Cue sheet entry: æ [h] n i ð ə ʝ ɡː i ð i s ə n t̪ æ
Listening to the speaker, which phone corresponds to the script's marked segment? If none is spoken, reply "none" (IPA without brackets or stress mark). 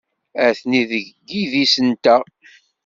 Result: θ